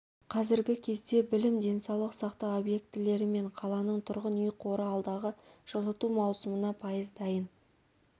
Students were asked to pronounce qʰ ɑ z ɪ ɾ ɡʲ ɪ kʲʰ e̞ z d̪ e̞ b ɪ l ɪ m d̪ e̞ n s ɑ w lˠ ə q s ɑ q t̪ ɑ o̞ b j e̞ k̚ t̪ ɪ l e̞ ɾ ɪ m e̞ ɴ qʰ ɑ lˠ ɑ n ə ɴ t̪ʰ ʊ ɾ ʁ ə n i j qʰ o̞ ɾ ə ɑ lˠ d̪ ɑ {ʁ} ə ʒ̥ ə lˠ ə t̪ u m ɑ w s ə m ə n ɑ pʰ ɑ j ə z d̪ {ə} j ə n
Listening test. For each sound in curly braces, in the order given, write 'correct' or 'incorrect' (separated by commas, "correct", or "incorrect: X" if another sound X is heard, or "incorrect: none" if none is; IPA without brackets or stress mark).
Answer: correct, incorrect: ɑ